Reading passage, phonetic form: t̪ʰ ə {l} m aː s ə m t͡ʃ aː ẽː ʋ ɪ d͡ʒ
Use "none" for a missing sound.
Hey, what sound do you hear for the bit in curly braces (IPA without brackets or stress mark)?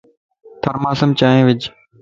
ɾ